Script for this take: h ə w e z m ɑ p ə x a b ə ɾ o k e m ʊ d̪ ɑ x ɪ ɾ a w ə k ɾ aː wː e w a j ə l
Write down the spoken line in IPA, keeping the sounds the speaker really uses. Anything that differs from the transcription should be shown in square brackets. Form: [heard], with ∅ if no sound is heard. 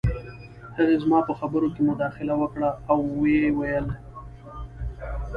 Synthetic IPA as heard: h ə [ɣ] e z m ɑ p ə x a b ə ɾ o k e m ʊ d̪ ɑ x ɪ [l] a w ə k [ɽ] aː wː e w a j ə l